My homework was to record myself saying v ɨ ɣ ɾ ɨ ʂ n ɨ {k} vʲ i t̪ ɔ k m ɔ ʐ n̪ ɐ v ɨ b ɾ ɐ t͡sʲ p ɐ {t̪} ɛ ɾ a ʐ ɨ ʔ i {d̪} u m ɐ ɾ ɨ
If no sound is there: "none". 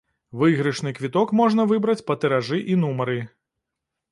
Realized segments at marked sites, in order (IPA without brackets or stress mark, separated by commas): k, t̪, n̪